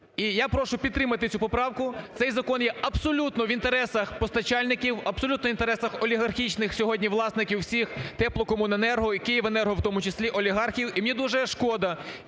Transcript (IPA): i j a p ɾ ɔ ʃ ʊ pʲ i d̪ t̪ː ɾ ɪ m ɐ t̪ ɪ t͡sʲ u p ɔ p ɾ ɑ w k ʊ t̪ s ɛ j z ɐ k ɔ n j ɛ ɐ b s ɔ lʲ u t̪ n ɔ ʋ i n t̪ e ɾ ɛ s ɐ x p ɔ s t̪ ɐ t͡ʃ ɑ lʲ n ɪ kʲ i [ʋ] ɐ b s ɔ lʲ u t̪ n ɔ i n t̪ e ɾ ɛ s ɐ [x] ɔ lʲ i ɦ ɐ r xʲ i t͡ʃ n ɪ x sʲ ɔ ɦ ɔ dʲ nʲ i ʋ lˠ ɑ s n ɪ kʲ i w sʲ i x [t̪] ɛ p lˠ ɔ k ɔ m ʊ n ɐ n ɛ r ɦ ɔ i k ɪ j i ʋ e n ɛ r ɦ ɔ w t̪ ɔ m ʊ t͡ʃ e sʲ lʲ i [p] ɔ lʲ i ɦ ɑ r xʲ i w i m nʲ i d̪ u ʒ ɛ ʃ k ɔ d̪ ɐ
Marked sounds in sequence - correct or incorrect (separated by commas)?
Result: incorrect, correct, correct, incorrect